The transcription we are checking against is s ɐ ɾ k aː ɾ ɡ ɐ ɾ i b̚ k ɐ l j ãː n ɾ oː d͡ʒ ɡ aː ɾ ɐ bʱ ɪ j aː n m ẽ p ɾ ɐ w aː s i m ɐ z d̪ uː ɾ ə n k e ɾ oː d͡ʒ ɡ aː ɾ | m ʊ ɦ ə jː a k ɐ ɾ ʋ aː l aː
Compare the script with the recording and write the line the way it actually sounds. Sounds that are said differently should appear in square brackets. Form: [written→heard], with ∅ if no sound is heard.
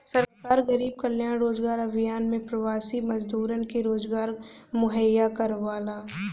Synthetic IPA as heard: s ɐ ɾ k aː ɾ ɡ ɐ ɾ [i→iː] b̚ k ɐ l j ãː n ɾ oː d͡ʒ ɡ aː ɾ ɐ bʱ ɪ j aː n m ẽ p ɾ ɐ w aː s i m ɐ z d̪ uː ɾ ə n k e ɾ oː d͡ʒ ɡ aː ɾ | m ʊ ɦ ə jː a k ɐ ɾ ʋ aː l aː